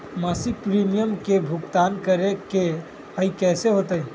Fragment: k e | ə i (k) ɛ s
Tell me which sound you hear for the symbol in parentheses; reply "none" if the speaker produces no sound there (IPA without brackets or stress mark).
k